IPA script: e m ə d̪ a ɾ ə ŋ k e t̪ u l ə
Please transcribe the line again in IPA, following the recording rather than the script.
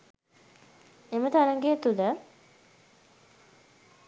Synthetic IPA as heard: e m ə t̪ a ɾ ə ŋ ɡ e t̪ u l ə